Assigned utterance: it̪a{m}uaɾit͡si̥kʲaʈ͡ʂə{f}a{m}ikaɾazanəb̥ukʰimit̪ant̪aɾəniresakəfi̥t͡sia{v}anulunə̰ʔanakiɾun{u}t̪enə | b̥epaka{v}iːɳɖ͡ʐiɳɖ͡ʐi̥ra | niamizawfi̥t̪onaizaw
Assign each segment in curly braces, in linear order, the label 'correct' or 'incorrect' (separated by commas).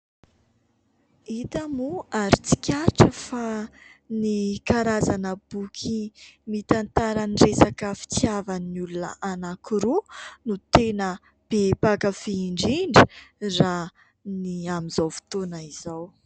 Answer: correct, correct, incorrect, correct, correct, incorrect